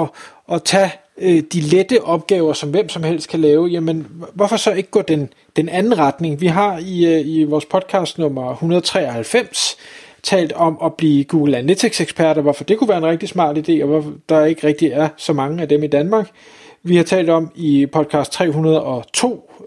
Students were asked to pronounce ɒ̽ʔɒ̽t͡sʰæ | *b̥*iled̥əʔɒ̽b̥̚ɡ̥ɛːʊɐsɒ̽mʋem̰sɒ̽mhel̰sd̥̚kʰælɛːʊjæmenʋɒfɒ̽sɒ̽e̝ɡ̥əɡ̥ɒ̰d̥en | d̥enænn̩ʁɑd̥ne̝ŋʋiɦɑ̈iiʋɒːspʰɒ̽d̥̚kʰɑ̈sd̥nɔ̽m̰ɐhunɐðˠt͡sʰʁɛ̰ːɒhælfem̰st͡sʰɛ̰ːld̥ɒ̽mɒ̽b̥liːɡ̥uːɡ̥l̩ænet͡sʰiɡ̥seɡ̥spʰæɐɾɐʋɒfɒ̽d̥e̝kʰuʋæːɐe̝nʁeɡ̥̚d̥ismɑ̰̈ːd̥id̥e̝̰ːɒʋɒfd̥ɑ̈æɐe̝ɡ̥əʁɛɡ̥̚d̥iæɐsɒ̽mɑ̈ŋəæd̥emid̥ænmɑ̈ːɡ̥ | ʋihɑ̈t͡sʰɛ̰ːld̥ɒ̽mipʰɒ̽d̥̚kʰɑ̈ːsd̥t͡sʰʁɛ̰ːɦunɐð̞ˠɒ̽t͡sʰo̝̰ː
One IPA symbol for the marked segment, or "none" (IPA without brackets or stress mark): d̥